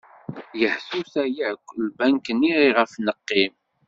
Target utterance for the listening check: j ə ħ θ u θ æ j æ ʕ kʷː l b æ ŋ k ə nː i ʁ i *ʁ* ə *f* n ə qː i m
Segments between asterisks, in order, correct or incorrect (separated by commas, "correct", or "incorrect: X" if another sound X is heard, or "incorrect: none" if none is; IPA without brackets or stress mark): correct, correct